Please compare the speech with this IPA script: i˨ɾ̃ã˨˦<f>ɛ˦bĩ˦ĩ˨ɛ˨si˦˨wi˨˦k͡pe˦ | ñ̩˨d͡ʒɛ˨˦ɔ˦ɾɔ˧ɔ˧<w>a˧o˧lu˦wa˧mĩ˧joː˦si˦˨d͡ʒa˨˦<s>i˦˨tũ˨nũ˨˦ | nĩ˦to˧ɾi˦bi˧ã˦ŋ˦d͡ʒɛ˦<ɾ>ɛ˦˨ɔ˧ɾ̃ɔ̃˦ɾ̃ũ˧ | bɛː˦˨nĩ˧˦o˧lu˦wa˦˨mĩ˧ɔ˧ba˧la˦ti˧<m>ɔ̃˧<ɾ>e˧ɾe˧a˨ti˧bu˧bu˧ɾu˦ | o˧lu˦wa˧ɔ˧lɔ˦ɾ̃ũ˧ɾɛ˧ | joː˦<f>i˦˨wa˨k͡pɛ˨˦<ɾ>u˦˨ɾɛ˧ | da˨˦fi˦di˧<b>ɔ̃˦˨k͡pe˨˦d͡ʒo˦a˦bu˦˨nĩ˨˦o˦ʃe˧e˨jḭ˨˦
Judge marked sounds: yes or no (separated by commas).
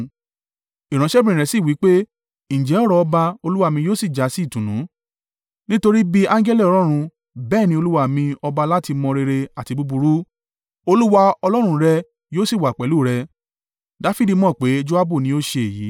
no, no, yes, no, yes, yes, no, no, no